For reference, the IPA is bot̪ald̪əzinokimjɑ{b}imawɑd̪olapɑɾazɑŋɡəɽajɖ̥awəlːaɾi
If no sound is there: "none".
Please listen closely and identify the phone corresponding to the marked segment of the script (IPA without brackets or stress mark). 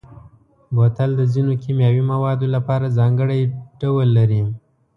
w